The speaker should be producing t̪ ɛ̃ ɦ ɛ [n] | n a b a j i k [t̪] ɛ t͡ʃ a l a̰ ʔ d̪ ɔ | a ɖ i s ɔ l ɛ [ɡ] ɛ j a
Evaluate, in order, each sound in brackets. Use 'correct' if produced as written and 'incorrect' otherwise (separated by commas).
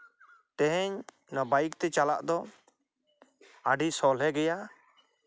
incorrect, correct, correct